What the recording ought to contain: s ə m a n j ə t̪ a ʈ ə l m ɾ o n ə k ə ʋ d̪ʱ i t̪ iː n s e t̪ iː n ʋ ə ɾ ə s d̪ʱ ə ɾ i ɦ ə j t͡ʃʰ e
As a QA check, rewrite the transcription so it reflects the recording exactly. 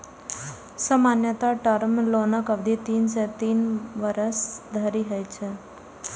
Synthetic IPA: s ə m a n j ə t̪ a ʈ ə ɾ m l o n ə k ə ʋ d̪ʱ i t̪ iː n s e t̪ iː n ʋ ə ɾ ə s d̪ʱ ə ɾ i ɦ ə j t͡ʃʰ e

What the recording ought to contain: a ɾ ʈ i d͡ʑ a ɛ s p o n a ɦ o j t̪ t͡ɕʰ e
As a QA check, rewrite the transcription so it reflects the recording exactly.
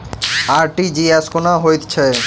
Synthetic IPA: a ɾ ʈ i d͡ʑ i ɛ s k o n a ɦ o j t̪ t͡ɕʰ e

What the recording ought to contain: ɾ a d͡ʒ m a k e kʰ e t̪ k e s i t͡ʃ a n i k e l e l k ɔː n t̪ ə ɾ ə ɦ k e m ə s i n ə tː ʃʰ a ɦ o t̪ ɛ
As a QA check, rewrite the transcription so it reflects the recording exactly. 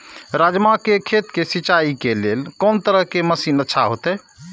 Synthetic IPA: ɾ a d͡ʒ m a k e kʰ e t̪ k e s i t͡ʃ a i k e l e l k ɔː n t̪ ə ɾ ə ɦ k e m ə s i n ə tː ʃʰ a ɦ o t̪ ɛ

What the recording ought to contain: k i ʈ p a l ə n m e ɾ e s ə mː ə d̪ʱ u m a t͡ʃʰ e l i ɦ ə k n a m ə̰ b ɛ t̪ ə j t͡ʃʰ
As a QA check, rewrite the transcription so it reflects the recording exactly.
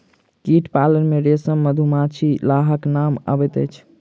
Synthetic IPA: k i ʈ p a l ə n m e ɾ e s ə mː ə d̪ʱ u m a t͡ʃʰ i l a ɦ ə k n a m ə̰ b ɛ t̪ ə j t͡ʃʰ

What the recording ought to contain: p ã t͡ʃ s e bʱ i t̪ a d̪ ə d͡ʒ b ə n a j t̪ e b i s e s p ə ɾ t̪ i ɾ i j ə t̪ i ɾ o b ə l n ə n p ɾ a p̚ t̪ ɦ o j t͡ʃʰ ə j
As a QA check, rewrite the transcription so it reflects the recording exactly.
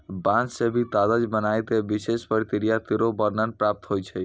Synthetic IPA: b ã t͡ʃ s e bʱ i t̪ a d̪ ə d͡ʒ b ə n a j t̪ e b i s e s p ə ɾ t̪ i ɾ i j a t̪ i ɾ o b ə ɾ n ə n p ɾ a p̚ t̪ ɦ o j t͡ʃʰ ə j

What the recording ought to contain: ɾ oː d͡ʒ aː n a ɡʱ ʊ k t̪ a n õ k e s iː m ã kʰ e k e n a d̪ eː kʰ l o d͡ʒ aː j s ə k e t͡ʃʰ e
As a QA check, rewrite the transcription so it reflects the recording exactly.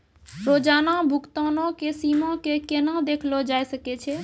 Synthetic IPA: ɾ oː d͡ʒ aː n a bʱ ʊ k t̪ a n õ k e s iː m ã k e k e n a d̪ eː kʰ l o d͡ʒ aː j s ə k e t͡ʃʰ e

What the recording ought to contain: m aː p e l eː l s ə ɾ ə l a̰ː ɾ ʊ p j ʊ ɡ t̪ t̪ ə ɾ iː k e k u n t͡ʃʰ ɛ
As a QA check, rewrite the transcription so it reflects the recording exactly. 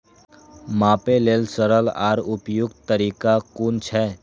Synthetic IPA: m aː p e l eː l s ə ɾ ə l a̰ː ɾ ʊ p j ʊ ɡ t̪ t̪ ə ɾ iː k a k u n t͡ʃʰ ɛ

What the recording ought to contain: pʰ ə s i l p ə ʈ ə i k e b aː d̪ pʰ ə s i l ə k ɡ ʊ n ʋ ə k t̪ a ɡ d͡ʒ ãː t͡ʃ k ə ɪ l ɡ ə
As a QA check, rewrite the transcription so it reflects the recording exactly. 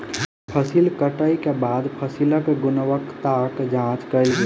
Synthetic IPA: pʰ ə s i l k ə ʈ ə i k e b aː d̪ pʰ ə s i l ə k ɡ ʊ n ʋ ə k t̪ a k d͡ʒ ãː t͡ʃ k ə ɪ l ɡ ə

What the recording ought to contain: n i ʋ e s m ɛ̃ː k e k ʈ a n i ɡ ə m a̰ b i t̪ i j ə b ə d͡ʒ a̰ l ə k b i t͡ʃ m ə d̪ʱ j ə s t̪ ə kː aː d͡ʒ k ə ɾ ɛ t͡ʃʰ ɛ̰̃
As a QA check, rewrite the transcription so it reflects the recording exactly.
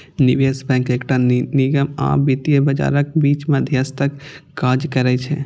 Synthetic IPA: n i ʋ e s b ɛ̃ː k e k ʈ a n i ɡ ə m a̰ b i t̪ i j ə b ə d͡ʒ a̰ ɾ ə k b i t͡ʃ m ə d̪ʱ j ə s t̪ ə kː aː d͡ʒ k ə ɾ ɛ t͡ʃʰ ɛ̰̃

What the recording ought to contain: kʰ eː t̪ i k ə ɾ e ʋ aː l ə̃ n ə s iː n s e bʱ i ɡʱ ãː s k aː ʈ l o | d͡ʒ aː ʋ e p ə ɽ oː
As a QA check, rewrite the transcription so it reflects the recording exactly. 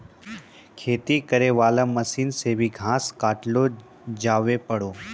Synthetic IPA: kʰ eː t̪ i k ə ɾ e ʋ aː l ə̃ m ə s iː n s e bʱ i ɡʱ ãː s k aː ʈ l o | d͡ʒ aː ʋ e p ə ɽ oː

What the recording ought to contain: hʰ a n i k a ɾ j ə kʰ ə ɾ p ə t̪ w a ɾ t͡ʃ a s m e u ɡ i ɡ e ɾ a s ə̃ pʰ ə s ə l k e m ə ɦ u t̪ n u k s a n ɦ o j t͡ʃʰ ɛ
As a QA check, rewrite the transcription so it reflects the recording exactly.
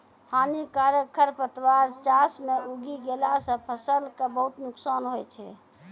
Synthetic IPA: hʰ a n i k a ɾ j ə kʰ ə ɾ p ə t̪ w a ɾ t͡ʃ a s m e u ɡ i ɡ e l a s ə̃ pʰ ə s ə l k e b ə ɦ u t̪ n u k s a n ɦ o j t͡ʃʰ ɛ

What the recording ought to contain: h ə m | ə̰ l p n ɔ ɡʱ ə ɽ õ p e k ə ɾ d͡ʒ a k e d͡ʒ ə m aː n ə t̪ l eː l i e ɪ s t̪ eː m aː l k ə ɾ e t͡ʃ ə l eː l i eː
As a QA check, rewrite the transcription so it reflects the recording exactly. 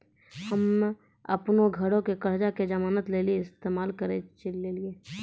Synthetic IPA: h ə m | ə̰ p n o ɡʱ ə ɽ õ k e k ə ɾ d͡ʒ a k e d͡ʒ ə m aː n ə t̪ l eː l i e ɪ s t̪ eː m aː l k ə ɾ e t͡ʃ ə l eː l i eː

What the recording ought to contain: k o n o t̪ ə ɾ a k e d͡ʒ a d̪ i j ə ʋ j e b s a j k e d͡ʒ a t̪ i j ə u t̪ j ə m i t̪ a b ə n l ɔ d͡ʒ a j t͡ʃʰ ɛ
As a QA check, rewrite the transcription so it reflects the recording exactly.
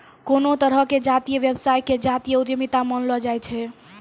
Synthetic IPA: k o n o t̪ ə ɾ ə k e d͡ʒ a t̪ i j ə ʋ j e b s a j k e d͡ʒ a t̪ i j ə u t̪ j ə m i t̪ a m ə n l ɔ d͡ʒ a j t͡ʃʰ ɛ

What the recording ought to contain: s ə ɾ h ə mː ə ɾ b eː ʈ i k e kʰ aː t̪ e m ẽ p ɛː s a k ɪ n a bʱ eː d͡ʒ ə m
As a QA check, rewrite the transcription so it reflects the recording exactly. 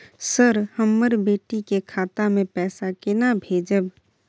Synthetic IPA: s ə ɾ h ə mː ə ɾ b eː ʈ i k e kʰ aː t̪ a m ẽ p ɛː s a k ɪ n a bʱ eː d͡ʒ ə b

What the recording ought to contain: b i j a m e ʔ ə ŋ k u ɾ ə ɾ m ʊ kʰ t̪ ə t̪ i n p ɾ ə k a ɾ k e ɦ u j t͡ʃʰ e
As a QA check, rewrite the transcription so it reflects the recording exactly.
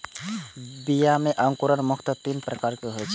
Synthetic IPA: b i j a m e ʔ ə ŋ k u ɾ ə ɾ m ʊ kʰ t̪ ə t̪ i n p ɾ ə k a ɾ k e ɦ o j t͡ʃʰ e

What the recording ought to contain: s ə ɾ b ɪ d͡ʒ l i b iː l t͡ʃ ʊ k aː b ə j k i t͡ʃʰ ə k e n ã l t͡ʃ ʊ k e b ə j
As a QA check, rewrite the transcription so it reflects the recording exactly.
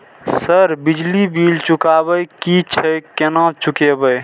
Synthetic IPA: s ə ɾ b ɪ d͡ʒ l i b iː l t͡ʃ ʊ k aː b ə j k i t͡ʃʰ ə k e n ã t͡ʃ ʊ k e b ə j

